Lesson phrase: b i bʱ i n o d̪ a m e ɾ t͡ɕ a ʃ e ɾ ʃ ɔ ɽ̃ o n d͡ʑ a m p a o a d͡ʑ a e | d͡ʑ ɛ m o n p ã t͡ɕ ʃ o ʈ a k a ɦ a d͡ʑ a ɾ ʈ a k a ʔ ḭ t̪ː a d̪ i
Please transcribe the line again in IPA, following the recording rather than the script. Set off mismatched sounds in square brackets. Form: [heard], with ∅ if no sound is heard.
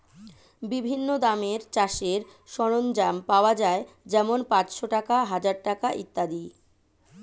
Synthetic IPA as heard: b i bʱ i [nː] o d̪ a m e ɾ t͡ɕ a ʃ e ɾ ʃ ɔ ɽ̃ o n d͡ʑ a m p a o a d͡ʑ a e | d͡ʑ ɛ m o n p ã t͡ɕ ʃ o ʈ a k a ɦ a d͡ʑ a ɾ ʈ a k a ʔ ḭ t̪ː a d̪ i